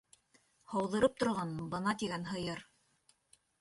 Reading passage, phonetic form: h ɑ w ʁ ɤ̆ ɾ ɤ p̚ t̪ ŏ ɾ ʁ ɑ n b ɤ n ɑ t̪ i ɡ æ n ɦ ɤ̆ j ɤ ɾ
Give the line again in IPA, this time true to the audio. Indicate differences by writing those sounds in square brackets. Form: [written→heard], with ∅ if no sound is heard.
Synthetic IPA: h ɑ w [ʁ→ð] ɤ̆ ɾ ɤ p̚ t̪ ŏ ɾ ʁ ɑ n b ɤ n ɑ t̪ i ɡ æ n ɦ ɤ̆ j ɤ ɾ